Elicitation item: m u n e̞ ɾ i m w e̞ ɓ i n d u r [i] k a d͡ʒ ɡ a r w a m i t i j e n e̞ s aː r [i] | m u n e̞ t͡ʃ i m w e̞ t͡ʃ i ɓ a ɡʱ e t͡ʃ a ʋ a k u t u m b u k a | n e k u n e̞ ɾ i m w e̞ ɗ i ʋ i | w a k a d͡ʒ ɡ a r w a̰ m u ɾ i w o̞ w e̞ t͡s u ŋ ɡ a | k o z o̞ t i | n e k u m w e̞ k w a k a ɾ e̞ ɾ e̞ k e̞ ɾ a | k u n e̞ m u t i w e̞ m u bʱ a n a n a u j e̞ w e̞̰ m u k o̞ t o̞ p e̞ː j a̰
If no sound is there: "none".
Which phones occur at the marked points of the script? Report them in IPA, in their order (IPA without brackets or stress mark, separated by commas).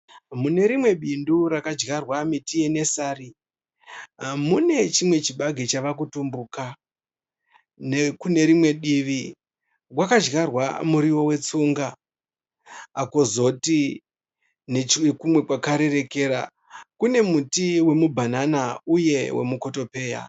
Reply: a, i